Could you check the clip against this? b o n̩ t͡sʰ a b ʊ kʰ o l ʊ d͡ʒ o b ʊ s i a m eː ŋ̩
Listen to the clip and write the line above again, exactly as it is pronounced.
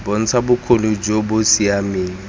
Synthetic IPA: b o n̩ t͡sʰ a b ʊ kʰ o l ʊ d͡ʒ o b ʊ s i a m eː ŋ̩